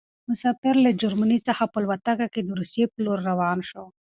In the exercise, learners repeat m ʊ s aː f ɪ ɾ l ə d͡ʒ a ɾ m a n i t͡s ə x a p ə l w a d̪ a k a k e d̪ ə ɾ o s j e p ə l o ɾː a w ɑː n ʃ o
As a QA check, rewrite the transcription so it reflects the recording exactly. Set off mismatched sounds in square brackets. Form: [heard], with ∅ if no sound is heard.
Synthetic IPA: m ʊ s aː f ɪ ɾ l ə d͡ʒ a ɾ m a n i t͡s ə x a p ə l w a [t̪] a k a k e d̪ ə ɾ [u] s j e p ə l o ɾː a w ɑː n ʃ o